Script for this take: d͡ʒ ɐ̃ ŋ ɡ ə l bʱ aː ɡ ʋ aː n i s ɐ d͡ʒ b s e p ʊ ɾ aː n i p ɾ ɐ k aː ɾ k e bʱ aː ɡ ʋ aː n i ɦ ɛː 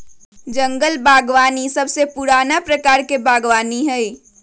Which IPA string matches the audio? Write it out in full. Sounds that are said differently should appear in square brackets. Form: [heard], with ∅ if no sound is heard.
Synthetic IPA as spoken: d͡ʒ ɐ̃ ŋ ɡ ə l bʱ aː ɡ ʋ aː n i s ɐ [∅] b s e p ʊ ɾ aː n [a] p ɾ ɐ k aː ɾ k e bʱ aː ɡ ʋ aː n i ɦ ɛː